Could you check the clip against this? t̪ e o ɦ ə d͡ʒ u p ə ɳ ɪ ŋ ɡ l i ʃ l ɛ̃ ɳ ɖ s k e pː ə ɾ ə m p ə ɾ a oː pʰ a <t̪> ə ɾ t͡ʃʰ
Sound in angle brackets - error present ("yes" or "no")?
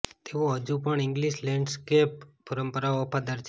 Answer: yes